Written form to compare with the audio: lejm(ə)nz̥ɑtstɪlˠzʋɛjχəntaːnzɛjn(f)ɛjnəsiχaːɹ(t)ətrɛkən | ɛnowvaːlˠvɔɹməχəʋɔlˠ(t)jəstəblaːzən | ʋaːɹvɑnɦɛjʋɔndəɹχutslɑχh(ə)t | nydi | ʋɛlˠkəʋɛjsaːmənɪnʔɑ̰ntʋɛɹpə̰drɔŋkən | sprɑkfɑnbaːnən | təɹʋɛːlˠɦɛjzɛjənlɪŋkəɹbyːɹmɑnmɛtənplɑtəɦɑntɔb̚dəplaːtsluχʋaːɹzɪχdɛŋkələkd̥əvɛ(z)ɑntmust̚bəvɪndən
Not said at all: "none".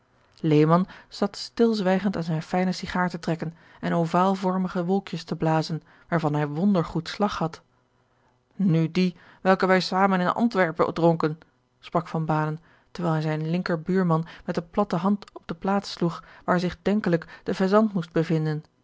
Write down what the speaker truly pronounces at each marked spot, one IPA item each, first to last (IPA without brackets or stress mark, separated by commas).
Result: ɑ, f, t, k, ɑ, z